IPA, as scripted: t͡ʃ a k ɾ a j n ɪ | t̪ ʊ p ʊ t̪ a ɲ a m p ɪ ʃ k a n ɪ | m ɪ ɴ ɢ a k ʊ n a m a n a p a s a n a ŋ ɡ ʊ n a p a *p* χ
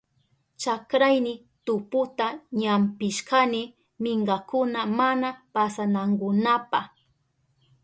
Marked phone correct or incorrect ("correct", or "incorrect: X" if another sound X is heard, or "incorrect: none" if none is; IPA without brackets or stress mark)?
incorrect: none